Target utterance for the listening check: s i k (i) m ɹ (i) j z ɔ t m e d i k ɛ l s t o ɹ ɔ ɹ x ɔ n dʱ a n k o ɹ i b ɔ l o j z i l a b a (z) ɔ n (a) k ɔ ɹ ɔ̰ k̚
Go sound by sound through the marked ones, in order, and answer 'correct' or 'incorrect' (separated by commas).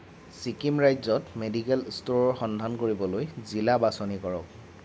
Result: correct, incorrect, incorrect, incorrect